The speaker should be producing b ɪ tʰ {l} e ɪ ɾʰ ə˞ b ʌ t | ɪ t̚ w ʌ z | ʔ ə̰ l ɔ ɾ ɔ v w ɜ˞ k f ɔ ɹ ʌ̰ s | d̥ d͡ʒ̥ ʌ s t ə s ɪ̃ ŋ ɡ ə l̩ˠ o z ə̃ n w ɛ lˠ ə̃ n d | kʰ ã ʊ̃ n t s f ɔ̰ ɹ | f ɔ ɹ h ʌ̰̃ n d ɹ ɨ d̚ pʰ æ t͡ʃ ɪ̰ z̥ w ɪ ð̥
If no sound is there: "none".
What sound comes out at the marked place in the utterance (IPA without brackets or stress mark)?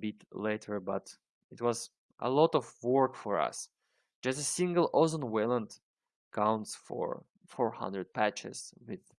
l